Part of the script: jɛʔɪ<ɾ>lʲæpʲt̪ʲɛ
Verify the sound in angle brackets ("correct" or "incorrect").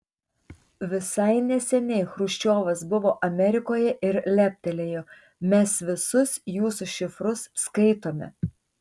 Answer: correct